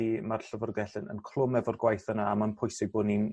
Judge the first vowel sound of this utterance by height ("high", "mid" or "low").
high